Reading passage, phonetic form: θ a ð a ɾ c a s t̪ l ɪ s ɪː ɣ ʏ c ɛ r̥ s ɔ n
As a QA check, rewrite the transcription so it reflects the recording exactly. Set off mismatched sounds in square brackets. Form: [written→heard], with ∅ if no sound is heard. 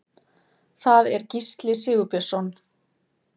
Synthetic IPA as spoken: θ a ð [a→ɛ] ɾ c [a→i] s t̪ l ɪ s ɪː ɣ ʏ [c→p] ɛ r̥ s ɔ n